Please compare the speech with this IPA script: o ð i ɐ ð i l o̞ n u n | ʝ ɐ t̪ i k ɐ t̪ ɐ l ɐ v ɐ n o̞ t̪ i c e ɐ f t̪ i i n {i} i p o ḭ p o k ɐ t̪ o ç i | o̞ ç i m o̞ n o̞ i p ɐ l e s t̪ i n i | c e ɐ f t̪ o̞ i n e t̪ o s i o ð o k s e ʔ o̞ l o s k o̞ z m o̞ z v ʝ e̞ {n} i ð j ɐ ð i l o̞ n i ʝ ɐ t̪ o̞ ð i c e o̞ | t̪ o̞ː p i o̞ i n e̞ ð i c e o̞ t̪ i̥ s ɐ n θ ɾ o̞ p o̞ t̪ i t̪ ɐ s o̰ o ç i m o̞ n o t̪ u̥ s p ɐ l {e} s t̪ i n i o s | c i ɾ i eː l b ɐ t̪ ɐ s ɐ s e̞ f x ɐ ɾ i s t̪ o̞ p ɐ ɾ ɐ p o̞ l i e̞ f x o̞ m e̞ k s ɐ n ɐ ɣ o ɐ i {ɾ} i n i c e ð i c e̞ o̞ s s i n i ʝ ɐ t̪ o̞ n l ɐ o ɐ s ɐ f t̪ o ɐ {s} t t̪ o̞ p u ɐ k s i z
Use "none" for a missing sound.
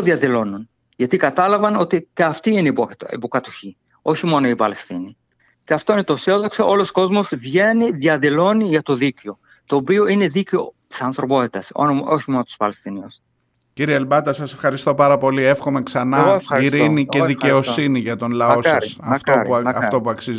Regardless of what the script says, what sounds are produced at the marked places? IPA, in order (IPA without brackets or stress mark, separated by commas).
e, n, e, ɾ, f